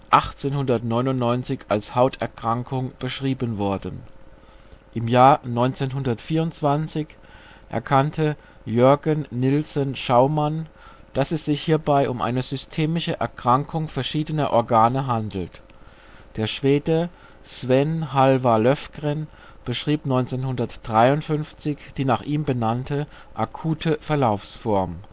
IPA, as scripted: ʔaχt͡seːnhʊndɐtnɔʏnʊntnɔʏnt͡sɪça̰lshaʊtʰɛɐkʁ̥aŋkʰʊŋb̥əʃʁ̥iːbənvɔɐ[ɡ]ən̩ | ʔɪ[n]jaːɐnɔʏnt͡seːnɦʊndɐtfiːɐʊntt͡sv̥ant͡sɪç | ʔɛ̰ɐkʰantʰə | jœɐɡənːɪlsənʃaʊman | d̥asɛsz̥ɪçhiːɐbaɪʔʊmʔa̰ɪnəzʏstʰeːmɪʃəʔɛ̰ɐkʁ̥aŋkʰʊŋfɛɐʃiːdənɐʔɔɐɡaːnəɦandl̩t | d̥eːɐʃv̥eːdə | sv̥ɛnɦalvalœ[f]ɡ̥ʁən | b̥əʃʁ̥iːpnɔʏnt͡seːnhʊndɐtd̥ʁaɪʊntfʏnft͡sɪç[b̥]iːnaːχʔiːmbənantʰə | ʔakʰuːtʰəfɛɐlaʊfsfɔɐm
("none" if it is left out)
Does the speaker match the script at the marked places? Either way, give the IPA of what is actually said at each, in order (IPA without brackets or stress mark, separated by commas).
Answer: d, m, f, d̥